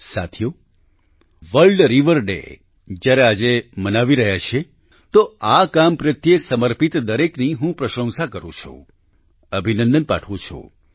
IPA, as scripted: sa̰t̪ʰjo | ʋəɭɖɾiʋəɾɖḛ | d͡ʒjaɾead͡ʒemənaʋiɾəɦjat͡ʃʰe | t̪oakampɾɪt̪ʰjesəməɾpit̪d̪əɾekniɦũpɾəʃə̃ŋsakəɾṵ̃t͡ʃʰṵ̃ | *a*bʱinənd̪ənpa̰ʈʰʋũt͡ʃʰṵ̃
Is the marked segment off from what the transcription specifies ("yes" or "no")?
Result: yes